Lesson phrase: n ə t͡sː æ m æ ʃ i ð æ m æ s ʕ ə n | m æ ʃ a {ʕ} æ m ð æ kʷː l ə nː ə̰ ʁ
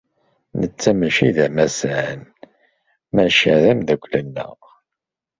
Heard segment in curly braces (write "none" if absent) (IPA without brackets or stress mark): ð